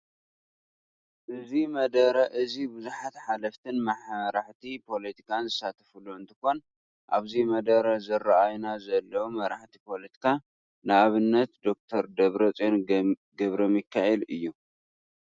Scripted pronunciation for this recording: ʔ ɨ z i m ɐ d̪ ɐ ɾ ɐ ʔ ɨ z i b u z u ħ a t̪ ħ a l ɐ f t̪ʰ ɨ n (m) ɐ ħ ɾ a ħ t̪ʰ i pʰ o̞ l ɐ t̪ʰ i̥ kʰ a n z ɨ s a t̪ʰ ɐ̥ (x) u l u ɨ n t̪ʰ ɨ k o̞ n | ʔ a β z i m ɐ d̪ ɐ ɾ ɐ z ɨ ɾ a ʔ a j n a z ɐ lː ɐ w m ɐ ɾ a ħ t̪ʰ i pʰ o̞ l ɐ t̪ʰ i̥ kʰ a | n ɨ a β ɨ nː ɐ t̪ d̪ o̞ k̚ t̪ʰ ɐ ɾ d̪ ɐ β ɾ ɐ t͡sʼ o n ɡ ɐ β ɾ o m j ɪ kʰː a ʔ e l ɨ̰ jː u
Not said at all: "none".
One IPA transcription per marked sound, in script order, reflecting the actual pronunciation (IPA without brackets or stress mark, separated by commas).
m, f